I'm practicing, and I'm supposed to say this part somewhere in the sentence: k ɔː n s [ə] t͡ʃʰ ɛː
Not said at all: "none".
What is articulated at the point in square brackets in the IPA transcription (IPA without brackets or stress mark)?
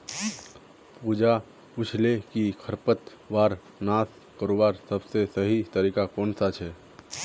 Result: a